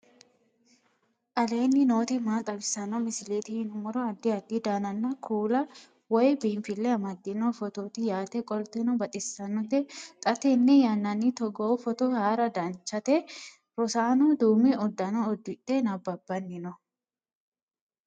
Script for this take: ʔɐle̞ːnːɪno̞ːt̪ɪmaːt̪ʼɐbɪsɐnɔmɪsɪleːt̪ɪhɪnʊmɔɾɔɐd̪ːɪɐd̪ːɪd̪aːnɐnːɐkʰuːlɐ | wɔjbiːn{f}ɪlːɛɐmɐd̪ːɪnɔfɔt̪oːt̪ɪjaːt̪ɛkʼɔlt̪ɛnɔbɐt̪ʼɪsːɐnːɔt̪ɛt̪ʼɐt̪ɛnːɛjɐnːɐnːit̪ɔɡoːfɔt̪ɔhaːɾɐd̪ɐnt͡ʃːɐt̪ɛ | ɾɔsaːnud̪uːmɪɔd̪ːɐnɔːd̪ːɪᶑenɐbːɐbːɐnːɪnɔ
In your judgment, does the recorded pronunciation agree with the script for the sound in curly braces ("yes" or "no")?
yes